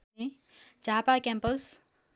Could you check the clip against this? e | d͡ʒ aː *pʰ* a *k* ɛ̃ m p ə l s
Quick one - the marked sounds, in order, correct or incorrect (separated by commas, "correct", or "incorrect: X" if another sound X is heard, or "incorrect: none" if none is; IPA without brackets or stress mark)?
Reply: incorrect: p, correct